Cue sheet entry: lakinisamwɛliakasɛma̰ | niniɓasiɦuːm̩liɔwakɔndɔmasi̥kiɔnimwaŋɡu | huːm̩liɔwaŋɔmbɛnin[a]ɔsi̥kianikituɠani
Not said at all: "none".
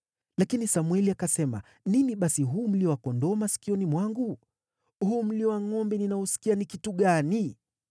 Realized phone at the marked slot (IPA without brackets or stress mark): a